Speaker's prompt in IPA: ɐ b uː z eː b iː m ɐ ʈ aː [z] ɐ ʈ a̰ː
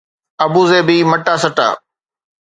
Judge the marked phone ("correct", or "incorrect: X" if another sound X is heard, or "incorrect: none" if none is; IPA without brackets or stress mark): incorrect: s